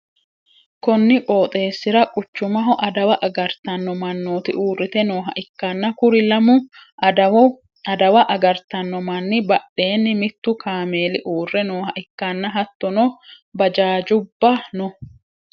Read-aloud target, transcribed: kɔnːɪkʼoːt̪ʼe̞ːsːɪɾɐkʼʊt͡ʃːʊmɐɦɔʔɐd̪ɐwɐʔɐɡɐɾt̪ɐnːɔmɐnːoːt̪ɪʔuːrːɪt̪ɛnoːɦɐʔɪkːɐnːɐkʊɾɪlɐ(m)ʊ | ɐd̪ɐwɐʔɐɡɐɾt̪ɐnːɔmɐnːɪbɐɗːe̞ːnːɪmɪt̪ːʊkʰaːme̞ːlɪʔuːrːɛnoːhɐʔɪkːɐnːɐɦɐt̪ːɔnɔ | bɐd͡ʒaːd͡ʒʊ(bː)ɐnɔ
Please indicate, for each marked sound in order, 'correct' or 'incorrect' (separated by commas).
correct, correct